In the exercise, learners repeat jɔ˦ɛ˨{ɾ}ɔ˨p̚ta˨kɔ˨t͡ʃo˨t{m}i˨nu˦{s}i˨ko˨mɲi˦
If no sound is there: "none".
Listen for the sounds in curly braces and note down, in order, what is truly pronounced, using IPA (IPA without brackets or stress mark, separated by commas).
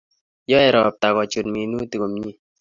ɾ, m, t